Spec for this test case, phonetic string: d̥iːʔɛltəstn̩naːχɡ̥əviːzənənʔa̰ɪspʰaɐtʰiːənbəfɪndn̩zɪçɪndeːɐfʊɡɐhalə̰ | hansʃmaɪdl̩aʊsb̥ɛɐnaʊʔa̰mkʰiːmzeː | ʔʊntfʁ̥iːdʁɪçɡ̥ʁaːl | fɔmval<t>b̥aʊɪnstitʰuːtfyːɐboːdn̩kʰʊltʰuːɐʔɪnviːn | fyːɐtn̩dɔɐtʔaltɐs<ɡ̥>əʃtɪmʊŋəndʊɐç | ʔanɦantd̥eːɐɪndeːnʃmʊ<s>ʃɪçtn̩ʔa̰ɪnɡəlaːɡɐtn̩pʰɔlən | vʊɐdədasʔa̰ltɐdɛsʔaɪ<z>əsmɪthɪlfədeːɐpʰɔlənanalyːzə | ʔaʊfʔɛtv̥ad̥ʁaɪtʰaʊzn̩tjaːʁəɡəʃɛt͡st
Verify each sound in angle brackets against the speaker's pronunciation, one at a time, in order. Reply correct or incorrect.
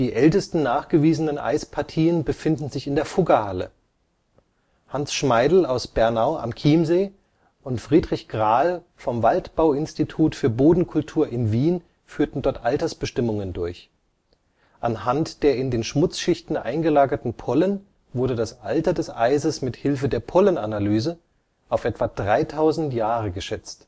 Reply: correct, incorrect, incorrect, correct

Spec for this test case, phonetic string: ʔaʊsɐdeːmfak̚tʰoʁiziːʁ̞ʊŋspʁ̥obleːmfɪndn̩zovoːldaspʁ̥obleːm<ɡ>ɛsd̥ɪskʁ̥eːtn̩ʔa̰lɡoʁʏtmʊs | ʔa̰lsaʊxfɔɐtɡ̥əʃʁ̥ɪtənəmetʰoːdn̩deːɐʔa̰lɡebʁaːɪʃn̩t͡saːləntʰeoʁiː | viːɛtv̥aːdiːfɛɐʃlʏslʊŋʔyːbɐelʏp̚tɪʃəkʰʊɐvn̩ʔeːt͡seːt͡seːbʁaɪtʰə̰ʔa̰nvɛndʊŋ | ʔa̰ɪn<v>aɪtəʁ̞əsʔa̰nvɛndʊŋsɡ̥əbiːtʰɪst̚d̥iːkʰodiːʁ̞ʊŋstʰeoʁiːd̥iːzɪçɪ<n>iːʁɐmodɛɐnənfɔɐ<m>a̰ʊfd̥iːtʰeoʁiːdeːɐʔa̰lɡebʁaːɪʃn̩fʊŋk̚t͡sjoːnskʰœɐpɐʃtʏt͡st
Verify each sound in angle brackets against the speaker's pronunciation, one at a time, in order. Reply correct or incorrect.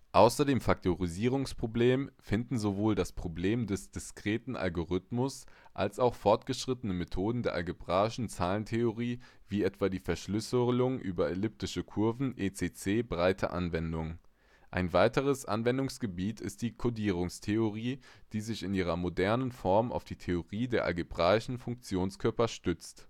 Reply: incorrect, correct, correct, correct

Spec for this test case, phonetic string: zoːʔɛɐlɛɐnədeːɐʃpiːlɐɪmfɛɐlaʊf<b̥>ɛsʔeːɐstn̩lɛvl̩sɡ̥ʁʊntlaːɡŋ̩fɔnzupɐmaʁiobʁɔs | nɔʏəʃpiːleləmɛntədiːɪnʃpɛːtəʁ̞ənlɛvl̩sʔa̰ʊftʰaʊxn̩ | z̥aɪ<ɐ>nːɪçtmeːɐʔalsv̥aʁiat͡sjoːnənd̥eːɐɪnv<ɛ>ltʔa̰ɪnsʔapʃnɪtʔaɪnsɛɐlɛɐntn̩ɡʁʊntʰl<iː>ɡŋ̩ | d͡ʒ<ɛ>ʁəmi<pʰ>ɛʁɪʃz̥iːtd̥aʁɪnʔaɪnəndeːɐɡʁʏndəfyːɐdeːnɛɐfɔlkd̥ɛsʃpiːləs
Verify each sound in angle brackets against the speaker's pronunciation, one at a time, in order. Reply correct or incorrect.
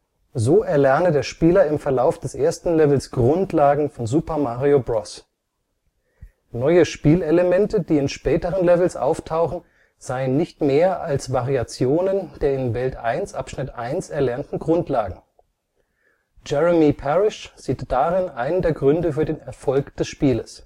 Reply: incorrect, incorrect, correct, incorrect, correct, correct

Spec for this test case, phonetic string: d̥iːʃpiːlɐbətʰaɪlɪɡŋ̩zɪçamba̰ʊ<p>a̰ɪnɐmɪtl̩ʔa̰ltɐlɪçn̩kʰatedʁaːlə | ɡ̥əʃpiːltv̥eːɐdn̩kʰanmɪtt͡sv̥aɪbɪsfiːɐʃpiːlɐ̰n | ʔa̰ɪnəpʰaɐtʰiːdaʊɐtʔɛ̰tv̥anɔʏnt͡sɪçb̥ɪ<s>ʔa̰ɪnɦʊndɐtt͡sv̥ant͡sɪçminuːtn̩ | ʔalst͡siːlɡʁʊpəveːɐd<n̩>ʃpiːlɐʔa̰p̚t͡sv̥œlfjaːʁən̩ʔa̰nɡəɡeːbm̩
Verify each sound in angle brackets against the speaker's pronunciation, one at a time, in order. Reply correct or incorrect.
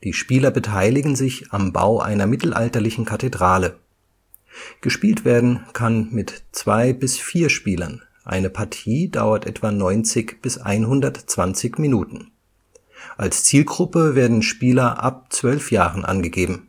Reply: incorrect, correct, correct

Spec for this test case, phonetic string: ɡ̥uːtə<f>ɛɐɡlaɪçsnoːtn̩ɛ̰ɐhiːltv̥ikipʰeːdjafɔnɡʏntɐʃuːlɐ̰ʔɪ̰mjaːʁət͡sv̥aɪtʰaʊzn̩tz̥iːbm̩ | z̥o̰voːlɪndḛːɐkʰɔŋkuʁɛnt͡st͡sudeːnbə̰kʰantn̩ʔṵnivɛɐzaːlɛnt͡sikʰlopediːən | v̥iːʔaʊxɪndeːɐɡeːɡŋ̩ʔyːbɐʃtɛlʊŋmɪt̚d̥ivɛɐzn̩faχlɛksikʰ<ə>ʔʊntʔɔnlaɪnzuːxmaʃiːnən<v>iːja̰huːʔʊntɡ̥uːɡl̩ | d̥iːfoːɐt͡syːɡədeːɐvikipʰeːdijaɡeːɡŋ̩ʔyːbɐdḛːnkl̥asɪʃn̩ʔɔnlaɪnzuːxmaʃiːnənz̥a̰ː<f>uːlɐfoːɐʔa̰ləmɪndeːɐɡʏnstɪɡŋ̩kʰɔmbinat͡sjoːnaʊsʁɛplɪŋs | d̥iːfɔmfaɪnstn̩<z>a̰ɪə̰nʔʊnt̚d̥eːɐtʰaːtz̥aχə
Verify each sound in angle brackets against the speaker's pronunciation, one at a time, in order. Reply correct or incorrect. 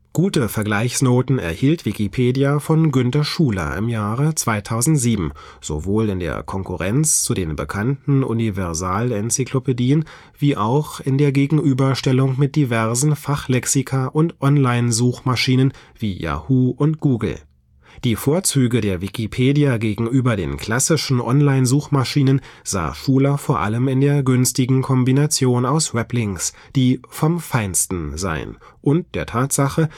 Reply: correct, incorrect, correct, incorrect, correct

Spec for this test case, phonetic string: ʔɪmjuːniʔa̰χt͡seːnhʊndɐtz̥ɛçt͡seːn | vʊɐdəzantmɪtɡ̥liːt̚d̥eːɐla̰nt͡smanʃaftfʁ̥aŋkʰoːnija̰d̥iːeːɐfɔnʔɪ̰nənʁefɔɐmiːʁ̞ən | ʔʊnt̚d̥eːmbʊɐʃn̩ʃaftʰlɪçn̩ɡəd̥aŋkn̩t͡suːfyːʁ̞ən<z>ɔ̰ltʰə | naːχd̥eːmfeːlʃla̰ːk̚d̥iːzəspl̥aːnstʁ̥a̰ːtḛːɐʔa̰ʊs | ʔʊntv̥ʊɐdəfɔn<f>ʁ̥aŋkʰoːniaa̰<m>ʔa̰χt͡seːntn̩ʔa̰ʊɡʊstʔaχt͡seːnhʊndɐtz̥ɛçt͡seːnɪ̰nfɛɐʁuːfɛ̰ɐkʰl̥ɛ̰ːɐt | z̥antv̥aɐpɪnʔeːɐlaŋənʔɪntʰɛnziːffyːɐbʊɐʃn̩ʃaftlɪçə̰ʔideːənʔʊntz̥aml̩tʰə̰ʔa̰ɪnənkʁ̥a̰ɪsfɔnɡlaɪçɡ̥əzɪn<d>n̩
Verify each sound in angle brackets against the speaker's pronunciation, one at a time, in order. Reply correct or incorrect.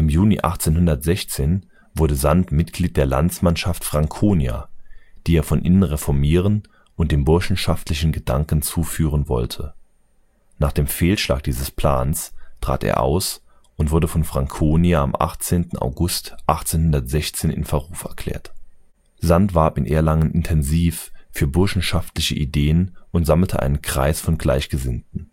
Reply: incorrect, correct, correct, incorrect

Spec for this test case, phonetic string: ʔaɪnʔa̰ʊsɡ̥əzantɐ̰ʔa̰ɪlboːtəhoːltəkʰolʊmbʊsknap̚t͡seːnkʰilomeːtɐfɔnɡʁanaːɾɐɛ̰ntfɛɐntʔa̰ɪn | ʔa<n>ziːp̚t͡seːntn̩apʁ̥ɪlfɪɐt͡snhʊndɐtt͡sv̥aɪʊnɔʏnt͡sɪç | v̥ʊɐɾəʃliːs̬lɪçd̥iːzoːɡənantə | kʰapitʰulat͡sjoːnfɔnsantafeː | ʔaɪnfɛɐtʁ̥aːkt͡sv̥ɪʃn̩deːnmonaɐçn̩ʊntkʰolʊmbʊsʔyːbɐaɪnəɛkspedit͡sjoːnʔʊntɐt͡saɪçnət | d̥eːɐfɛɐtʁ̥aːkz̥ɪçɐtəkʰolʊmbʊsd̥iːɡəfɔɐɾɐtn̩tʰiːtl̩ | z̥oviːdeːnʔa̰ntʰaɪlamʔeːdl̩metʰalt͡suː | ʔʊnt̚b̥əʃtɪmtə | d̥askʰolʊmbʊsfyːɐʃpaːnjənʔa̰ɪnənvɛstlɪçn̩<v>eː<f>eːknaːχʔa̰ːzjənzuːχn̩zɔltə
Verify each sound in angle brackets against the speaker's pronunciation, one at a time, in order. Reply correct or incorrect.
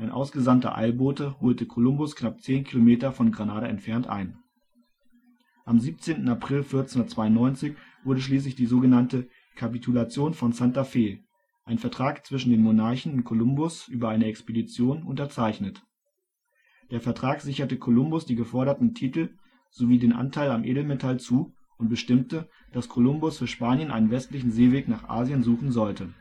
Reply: incorrect, incorrect, incorrect

